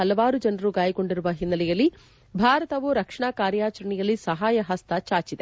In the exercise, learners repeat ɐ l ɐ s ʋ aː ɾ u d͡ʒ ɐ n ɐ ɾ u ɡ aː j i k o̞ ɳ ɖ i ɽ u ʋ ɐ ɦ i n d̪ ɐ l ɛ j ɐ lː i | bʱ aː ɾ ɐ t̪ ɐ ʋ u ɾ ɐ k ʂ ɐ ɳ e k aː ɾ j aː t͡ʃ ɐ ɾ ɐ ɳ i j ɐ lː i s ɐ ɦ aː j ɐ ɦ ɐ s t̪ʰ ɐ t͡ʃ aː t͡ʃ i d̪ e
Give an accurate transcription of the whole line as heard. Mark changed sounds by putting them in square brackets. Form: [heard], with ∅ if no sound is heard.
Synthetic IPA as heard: ɐ l ɐ [∅] ʋ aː ɾ u d͡ʒ ɐ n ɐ ɾ u ɡ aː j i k o̞ ɳ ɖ i [ɾ] u ʋ ɐ ɦ i n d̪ ɐ l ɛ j ɐ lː i | bʱ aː ɾ ɐ t̪ ɐ ʋ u ɾ ɐ k ʂ ɐ ɳ [a] k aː ɾ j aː t͡ʃ ɐ ɾ ɐ ɳ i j ɐ lː i s ɐ ɦ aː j ɐ ɦ ɐ s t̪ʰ ɐ t͡ʃ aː t͡ʃ i d̪ e

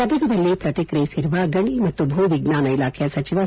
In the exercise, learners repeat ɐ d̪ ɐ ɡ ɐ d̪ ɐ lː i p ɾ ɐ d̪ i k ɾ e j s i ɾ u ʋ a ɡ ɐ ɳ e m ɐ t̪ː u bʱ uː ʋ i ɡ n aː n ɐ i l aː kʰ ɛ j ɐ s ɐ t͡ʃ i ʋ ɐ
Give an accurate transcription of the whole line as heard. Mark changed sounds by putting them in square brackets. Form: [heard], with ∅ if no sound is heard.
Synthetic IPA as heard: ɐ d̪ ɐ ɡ ɐ d̪ ɐ lː i p ɾ ɐ [t̪] i k ɾ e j s i ɾ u ʋ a ɡ ɐ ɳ [i] m ɐ t̪ː u bʱ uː ʋ i ɡ n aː n ɐ i l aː kʰ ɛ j ɐ s ɐ t͡ʃ i ʋ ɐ

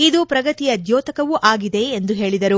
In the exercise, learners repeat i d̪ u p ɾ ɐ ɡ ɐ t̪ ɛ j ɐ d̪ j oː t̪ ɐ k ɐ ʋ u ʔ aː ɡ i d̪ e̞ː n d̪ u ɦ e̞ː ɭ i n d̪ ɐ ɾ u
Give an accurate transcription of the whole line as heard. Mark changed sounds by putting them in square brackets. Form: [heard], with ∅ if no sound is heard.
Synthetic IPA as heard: i d̪ u p ɾ ɐ ɡ ɐ t̪ [i] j ɐ d̪ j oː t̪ ɐ k ɐ ʋ u ʔ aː ɡ i d̪ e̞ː n d̪ u ɦ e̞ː ɭ i [∅] d̪ ɐ ɾ u

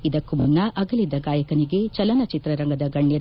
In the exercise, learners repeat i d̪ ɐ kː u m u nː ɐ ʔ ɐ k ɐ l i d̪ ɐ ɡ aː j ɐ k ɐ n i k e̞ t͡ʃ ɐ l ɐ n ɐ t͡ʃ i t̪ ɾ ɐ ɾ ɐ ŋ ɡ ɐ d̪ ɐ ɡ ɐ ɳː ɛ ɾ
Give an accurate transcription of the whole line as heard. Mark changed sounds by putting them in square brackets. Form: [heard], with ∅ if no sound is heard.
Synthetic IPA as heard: i d̪ ɐ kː u m u nː ɐ ʔ ɐ [ɡ] ɐ l i d̪ ɐ ɡ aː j ɐ k ɐ n i [ɡ] e̞ t͡ʃ ɐ l ɐ n ɐ t͡ʃ i t̪ ɾ ɐ ɾ ɐ ŋ ɡ ɐ d̪ ɐ ɡ ɐ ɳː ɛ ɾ

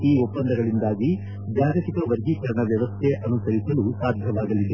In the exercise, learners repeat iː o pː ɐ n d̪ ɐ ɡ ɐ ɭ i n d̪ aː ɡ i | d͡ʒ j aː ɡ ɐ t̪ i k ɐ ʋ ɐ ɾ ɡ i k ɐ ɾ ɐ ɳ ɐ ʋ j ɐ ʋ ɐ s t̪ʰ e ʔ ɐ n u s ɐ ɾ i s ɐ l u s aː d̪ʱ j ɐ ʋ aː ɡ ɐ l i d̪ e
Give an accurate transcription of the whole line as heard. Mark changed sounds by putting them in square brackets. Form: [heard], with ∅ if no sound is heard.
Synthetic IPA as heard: iː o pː ɐ n d̪ ɐ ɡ ɐ ɭ i n d̪ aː ɡ i | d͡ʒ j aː ɡ ɐ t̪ i k ɐ ʋ ɐ ɾ ɡ i k ɐ ɾ ɐ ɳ ɐ ʋ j ɐ ʋ ɐ s t̪ʰ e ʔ ɐ n u s ɐ ɾ i s ɐ l u s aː d̪ʱ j ɐ ʋ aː ɡ ɐ l i d̪ e

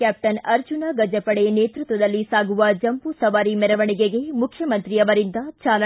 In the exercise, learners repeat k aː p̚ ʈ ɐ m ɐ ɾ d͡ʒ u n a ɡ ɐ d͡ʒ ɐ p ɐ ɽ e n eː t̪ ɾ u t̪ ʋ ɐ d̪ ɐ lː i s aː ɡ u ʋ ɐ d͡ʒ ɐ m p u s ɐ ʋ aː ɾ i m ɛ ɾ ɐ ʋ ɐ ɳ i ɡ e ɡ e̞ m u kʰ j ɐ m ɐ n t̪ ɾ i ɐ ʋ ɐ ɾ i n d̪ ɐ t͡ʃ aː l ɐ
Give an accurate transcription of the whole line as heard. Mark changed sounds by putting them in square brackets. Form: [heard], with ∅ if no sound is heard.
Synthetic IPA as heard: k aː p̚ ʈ ɐ [n] ɐ ɾ d͡ʒ u n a ɡ ɐ d͡ʒ ɐ p ɐ ɽ e n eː t̪ ɾ u t̪ ʋ ɐ d̪ ɐ lː i s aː ɡ u ʋ ɐ d͡ʒ ɐ m p u s ɐ ʋ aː ɾ i m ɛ ɾ ɐ ʋ ɐ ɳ i ɡ e ɡ e̞ m u kʰ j ɐ m ɐ n t̪ ɾ i ɐ ʋ ɐ ɾ i n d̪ ɐ t͡ʃ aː l ɐ

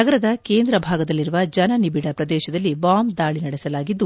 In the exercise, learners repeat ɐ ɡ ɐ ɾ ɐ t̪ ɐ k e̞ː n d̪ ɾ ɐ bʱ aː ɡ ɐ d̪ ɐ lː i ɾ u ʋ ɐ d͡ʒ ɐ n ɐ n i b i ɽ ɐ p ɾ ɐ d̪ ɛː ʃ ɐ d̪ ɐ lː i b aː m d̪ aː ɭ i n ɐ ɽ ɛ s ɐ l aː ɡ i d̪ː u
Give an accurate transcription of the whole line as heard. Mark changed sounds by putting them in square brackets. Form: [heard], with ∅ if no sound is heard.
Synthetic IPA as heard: ɐ ɡ ɐ ɾ ɐ [d̪] ɐ k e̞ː n d̪ ɾ ɐ bʱ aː ɡ ɐ d̪ ɐ lː i ɾ u ʋ ɐ d͡ʒ ɐ n ɐ n i b i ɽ ɐ p ɾ ɐ d̪ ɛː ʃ ɐ d̪ ɐ lː i b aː m d̪ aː ɭ i n ɐ ɽ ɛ s ɐ l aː ɡ i d̪ː u

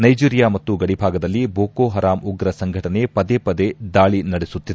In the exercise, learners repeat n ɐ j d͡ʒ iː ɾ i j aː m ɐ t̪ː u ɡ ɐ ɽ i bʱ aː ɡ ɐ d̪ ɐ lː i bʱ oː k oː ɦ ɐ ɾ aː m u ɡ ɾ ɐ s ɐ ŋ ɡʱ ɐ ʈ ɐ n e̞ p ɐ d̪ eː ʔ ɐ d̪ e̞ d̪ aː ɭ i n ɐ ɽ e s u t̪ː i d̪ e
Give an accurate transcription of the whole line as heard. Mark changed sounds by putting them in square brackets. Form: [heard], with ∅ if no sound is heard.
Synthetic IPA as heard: n ɐ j d͡ʒ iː ɾ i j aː m ɐ t̪ː u ɡ ɐ ɽ i bʱ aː ɡ ɐ d̪ ɐ lː i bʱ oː k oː ɦ ɐ ɾ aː m u ɡ ɾ ɐ s ɐ ŋ ɡʱ ɐ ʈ ɐ n e̞ p ɐ d̪ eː [p] ɐ d̪ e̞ d̪ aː ɭ i n ɐ ɽ e s u t̪ː i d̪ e

